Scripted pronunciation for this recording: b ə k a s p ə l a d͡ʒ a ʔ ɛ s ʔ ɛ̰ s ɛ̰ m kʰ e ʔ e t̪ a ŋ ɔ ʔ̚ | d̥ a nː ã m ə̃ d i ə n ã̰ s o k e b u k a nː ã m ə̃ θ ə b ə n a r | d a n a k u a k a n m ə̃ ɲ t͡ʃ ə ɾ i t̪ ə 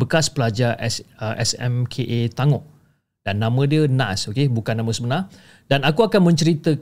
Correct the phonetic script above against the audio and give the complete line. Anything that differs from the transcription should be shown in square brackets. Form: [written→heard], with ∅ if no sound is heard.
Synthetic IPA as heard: b ə k a s p ə l a d͡ʒ a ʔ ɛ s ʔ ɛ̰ s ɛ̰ m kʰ e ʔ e t̪ a ŋ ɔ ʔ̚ | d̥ a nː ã m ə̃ d i ə n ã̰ s o k e b u k a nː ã m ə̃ [θ→s] ə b ə n a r | d a n a k u a k a n m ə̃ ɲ t͡ʃ ə ɾ i t̪ ə